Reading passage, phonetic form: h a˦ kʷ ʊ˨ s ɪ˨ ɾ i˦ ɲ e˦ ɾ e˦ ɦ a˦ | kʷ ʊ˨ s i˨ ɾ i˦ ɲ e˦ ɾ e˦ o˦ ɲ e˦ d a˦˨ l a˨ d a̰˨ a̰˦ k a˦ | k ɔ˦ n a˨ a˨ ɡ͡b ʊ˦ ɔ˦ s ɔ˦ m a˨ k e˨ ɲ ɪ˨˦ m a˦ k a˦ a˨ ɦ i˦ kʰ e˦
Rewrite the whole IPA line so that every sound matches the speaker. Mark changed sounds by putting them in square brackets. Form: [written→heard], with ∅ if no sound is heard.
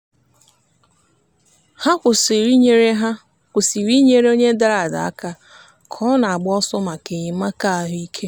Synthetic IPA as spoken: h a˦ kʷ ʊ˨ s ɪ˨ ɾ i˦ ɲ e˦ ɾ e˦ ɦ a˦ | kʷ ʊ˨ s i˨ ɾ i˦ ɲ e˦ ɾ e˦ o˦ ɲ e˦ d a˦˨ [l→ɾ] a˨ d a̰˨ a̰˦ k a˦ | [k→kʰ] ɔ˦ n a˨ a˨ ɡ͡b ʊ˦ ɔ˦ s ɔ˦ m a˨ k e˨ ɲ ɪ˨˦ m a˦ k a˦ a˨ ɦ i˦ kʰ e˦